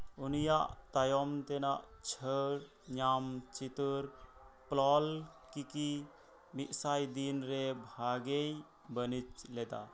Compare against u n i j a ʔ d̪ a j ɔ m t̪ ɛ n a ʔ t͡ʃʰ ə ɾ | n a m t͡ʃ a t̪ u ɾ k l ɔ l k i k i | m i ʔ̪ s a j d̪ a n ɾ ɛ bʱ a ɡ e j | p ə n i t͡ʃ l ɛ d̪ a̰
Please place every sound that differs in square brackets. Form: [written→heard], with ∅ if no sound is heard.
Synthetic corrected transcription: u n i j a ʔ [d̪→t̪] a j ɔ m t̪ ɛ n a ʔ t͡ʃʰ ə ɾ | [n→ɲ] a m t͡ʃ [a→i] t̪ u ɾ [k→p] l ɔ l k i k i | m i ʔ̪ s a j d̪ [a→i] n ɾ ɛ bʱ a ɡ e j | [p→b] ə n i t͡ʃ l ɛ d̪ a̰